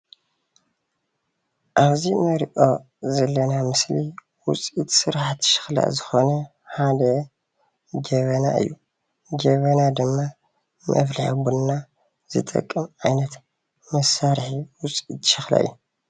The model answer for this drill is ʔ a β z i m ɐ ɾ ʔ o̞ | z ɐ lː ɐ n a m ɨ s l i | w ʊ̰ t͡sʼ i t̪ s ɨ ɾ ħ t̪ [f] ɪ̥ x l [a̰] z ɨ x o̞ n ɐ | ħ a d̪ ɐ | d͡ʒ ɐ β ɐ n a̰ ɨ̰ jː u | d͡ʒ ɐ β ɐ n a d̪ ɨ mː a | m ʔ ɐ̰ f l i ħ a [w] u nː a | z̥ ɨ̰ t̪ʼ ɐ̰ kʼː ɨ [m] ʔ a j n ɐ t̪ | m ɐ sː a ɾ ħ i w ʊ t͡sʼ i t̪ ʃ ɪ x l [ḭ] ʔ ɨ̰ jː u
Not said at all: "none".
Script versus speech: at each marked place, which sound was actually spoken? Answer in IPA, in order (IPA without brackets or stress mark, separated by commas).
ʃ, a̰, b, m, a̰